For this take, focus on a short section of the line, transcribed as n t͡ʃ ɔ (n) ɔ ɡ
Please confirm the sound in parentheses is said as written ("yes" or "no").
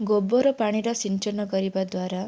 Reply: yes